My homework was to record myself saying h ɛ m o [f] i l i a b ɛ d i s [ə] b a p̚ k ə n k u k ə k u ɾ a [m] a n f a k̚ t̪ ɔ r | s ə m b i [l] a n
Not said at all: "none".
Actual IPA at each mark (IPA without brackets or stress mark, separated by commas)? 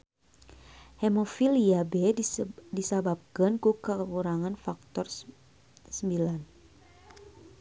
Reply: f, a, ŋ, l